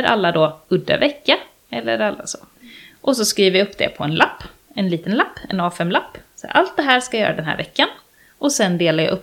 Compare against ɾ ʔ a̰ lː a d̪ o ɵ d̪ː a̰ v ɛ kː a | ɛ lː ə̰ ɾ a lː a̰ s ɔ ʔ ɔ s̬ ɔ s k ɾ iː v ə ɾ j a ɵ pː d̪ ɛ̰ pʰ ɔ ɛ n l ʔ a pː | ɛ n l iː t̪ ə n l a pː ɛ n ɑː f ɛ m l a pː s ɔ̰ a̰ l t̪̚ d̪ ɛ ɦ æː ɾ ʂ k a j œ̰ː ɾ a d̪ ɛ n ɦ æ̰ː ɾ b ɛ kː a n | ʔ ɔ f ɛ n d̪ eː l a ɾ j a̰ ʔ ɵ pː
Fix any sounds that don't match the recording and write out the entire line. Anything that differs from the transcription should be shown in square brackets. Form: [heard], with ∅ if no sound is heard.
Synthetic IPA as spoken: ɾ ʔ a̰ lː a d̪ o ɵ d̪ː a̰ v ɛ kː a | ɛ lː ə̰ ɾ a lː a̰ s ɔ ʔ ɔ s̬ ɔ s k ɾ iː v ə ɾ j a ɵ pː d̪ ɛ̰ pʰ ɔ ɛ n l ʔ a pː | ɛ n l iː t̪ ə n l a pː ɛ n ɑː f ɛ m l a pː s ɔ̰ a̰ l t̪̚ d̪ ɛ ɦ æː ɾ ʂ k a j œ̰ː ɾ a d̪ ɛ n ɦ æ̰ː ɾ [v] ɛ kː a n | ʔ ɔ [s] ɛ n d̪ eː l a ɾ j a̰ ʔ ɵ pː